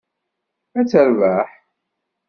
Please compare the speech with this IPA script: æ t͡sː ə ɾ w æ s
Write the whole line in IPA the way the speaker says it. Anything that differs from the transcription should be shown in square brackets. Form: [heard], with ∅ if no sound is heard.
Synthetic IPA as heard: æ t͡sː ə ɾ [v] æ [ħ]